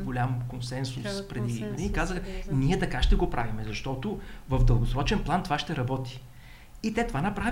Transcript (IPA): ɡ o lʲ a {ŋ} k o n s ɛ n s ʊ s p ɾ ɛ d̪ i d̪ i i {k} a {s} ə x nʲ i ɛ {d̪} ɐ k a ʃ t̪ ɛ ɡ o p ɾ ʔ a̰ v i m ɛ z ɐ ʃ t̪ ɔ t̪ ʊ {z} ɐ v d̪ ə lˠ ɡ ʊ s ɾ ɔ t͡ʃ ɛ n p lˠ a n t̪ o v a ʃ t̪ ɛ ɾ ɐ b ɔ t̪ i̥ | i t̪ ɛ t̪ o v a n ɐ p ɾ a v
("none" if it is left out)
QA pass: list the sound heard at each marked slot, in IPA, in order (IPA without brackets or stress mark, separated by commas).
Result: m, k, z, t̪, v